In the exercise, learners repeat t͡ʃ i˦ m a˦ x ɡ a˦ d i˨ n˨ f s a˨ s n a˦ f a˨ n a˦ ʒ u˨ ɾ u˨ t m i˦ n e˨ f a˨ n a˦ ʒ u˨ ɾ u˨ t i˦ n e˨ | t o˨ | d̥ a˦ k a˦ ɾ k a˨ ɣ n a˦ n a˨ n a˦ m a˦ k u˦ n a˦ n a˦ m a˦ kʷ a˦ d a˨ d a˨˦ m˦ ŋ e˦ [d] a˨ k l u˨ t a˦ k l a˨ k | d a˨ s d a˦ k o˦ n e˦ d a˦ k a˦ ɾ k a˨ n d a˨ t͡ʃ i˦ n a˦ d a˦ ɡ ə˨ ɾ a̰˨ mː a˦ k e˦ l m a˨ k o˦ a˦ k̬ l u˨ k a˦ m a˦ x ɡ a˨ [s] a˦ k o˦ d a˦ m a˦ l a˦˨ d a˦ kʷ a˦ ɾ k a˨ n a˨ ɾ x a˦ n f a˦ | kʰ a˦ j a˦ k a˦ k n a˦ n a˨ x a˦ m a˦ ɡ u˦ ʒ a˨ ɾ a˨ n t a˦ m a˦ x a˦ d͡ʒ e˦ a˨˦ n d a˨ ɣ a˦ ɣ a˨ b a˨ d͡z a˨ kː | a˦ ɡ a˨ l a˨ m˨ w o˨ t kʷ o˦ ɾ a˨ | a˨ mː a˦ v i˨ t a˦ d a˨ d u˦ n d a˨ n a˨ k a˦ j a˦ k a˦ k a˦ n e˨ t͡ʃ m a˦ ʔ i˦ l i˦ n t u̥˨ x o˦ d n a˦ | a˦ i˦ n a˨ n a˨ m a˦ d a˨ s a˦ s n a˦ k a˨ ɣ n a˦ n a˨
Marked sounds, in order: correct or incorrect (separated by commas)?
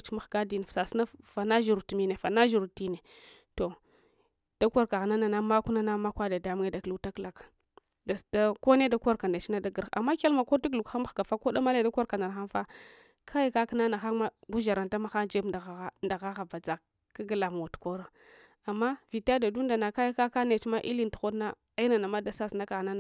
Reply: correct, incorrect